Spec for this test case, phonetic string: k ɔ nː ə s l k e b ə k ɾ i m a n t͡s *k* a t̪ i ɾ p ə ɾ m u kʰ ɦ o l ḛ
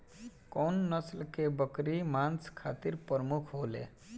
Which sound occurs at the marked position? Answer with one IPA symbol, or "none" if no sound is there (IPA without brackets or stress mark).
kʰ